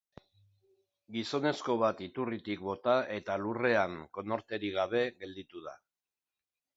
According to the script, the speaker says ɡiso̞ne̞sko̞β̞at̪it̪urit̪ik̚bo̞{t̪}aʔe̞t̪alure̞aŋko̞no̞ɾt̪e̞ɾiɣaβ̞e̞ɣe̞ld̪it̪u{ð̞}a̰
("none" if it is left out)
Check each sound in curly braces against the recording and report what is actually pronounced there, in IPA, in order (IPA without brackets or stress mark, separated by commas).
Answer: t̪, ð̞